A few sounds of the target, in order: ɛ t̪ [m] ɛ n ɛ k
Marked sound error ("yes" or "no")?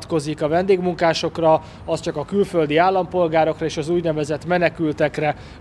no